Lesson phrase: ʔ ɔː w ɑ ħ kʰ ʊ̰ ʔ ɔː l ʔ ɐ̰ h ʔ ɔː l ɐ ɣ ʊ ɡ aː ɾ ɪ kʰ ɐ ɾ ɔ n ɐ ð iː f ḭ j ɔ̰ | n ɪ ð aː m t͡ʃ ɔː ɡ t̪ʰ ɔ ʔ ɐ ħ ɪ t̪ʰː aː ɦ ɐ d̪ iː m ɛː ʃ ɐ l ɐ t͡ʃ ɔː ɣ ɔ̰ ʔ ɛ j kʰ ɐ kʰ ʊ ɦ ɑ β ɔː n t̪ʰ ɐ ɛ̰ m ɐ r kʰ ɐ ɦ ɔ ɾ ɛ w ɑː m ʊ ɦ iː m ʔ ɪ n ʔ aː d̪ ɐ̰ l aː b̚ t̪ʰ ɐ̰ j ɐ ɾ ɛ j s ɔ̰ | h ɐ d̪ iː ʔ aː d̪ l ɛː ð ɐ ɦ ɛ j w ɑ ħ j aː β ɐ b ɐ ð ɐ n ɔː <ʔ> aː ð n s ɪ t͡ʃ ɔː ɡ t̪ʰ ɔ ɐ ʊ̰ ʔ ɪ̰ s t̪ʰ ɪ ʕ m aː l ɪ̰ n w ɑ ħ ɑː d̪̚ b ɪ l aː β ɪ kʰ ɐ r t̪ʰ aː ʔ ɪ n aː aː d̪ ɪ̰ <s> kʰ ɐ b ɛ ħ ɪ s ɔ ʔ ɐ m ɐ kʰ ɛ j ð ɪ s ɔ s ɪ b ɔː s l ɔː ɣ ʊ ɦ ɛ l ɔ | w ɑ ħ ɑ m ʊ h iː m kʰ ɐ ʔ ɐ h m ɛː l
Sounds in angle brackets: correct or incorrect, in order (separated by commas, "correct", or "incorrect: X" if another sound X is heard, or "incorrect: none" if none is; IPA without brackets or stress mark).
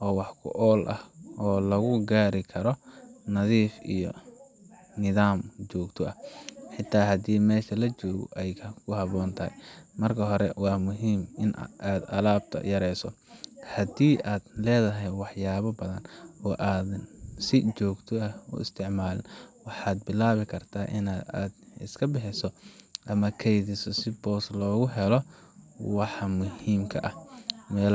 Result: correct, correct